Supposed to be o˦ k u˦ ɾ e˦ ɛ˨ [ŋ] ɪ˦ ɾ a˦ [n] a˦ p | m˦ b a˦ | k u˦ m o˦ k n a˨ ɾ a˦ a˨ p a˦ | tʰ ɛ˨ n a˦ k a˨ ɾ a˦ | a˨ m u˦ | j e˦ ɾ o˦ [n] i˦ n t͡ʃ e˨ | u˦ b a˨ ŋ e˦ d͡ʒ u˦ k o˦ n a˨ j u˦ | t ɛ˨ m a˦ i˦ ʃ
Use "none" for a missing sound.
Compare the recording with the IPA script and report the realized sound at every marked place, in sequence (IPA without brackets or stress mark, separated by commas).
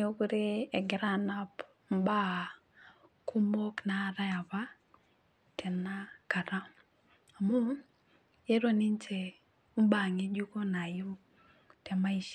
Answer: ɡ, n, n